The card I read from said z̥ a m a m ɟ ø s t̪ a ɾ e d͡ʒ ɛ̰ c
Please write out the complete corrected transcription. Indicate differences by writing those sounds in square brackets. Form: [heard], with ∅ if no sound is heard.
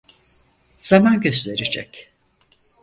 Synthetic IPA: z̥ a m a [n] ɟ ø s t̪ [e] ɾ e d͡ʒ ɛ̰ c

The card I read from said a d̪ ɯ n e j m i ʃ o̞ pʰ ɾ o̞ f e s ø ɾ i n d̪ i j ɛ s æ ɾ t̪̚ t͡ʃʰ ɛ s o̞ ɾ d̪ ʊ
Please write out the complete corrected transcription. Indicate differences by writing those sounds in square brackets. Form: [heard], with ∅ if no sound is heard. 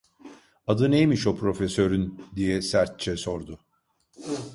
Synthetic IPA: a d̪ ɯ n e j m i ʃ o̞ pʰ ɾ o̞ f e s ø ɾ [y] n d̪ i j ɛ s æ ɾ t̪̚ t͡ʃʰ ɛ s o̞ ɾ d̪ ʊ

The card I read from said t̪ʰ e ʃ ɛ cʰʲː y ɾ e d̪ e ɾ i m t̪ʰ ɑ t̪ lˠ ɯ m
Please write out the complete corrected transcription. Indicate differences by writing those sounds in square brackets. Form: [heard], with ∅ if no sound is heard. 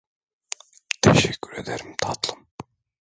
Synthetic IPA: t̪ʰ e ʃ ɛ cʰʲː y ɾ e d̪ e ɾ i m t̪ʰ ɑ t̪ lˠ ɯ m

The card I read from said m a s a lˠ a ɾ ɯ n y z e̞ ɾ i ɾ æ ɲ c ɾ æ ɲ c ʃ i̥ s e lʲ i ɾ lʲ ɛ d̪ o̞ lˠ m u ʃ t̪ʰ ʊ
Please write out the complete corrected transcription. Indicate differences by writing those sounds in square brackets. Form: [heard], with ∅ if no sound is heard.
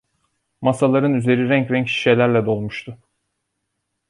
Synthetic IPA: m a s a lˠ a ɾ ɯ n y z e̞ ɾ i ɾ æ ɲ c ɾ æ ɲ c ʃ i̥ [ʃ] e lʲ [æ] ɾ lʲ ɛ d̪ o̞ lˠ m u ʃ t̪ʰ ʊ

